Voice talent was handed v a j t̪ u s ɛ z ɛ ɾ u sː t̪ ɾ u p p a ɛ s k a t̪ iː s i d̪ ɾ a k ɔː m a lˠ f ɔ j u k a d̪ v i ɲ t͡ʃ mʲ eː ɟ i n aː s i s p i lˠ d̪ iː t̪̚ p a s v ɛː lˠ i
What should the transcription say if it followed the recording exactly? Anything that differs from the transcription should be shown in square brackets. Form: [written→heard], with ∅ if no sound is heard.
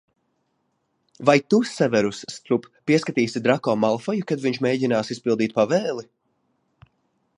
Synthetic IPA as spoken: v a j t̪ u s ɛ [z→v] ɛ ɾ u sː t̪ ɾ u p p [a→i] ɛ s k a t̪ iː s i d̪ ɾ a k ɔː m a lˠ f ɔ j u k a d̪ v i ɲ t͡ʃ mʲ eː ɟ i n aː s i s p i lˠ d̪ iː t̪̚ p a [s→∅] v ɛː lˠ i